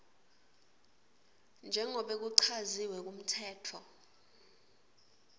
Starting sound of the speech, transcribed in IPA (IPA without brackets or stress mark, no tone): n